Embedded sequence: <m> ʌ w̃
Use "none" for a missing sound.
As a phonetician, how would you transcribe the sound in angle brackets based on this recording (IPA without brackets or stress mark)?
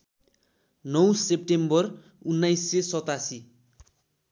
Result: n